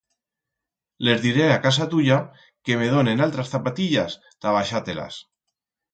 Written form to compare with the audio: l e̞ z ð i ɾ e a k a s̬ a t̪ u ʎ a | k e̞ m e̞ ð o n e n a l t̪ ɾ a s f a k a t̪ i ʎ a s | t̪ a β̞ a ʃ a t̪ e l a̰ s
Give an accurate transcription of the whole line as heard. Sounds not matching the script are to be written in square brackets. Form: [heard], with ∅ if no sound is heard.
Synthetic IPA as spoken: l e̞ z ð i ɾ e a k a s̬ a t̪ u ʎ a | k e̞ m e̞ ð o n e n a l t̪ ɾ a s [θ] a [p] a t̪ i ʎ a s | t̪ a β̞ a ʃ a t̪ e l a̰ s